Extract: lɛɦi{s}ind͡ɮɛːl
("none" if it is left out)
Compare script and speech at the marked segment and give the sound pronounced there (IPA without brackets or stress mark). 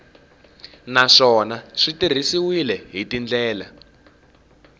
t